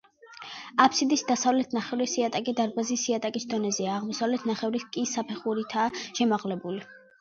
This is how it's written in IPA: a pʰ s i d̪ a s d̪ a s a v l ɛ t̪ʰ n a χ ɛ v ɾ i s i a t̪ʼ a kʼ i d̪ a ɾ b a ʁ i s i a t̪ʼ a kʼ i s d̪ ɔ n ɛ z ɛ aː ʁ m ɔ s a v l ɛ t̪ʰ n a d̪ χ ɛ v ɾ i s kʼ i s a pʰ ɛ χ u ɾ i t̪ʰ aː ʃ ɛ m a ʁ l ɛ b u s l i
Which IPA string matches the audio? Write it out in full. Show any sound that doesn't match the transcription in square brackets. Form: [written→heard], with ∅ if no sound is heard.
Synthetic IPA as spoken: a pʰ s i d̪ [a→i] s d̪ a s a v l ɛ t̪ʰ n a χ ɛ v ɾ i s i a t̪ʼ a kʼ i d̪ a ɾ b a [ʁ→z] i s i a t̪ʼ a kʼ i s d̪ ɔ n ɛ z ɛ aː ʁ m ɔ s a v l ɛ t̪ʰ n a [d̪→∅] χ ɛ v ɾ i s kʼ i s a pʰ ɛ χ u ɾ i t̪ʰ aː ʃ ɛ m a ʁ l ɛ b u [s→∅] l i